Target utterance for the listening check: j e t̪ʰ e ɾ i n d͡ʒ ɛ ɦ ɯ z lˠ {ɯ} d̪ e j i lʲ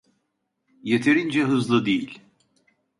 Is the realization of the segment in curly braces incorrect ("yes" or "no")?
no